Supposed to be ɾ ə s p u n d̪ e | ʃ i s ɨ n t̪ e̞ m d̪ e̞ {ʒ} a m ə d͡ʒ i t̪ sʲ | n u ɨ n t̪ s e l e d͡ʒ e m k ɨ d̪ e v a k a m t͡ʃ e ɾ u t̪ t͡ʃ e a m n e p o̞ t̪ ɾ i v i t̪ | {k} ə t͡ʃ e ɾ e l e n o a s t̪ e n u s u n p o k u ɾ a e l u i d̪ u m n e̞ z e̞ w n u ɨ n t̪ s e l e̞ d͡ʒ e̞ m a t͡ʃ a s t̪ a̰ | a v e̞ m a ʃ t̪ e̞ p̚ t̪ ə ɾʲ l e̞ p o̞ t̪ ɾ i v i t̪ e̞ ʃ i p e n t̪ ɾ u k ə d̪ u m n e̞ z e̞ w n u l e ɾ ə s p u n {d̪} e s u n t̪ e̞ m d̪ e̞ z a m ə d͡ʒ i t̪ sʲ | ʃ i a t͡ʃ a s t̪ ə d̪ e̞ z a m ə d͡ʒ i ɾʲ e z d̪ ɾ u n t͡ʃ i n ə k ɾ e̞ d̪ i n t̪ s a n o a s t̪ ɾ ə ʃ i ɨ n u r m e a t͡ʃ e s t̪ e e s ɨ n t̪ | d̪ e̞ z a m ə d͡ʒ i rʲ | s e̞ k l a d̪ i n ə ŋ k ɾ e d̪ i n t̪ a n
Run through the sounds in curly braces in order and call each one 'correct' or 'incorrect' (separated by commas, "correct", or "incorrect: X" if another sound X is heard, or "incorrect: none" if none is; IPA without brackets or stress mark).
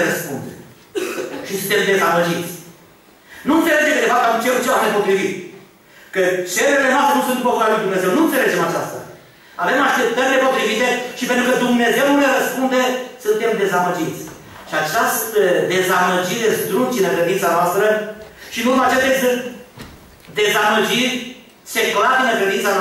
incorrect: z, correct, correct